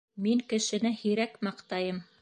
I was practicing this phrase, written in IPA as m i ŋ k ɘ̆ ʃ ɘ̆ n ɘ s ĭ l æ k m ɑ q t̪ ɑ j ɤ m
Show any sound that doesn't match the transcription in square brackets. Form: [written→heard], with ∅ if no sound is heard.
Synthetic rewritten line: m i ŋ k ɘ̆ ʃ ɘ̆ n ɘ [s→h] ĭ [l→ɾ] æ k m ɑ q t̪ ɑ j ɤ m